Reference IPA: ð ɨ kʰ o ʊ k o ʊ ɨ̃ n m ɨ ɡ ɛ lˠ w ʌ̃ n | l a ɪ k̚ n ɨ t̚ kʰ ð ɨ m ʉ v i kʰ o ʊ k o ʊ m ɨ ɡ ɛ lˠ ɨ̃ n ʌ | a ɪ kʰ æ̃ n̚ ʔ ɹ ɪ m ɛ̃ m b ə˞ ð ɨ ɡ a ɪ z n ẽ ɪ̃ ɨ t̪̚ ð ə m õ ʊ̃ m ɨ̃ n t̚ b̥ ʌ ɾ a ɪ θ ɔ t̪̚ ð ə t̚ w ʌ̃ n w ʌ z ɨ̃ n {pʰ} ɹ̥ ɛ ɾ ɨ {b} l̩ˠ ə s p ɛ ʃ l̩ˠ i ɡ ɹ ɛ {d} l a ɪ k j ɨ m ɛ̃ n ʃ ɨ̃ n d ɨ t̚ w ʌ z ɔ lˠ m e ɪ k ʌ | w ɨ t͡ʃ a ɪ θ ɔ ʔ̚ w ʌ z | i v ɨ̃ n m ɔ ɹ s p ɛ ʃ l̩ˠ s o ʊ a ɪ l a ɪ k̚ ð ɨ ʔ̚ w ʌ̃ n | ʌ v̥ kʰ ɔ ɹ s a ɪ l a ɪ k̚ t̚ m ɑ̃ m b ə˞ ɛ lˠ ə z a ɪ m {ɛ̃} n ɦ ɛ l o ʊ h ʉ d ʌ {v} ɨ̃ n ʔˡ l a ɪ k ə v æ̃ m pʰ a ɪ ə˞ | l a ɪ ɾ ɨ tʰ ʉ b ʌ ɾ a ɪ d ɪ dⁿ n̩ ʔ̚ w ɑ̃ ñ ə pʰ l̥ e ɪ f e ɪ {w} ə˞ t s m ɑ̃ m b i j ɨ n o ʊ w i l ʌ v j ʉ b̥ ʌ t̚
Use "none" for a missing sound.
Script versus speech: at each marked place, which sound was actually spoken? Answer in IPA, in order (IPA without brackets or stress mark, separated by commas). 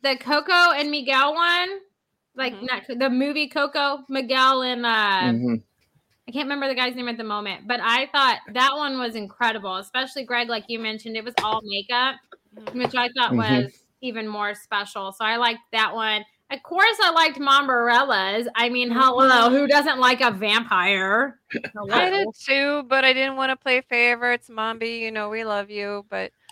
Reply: kʰ, b, ɡ, ĩ, z, v